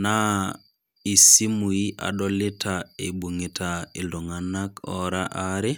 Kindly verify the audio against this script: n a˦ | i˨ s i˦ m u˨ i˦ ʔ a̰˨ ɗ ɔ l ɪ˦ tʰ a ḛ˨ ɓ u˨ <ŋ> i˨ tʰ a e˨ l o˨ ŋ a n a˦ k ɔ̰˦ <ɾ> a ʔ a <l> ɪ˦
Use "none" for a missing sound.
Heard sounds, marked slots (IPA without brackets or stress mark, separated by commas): ŋ, ɾ, ɾ